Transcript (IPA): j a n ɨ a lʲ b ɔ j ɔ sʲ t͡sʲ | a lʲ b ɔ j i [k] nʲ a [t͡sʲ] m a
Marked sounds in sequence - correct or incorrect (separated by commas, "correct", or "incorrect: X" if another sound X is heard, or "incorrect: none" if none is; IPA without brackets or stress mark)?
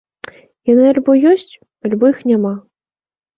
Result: incorrect: x, incorrect: none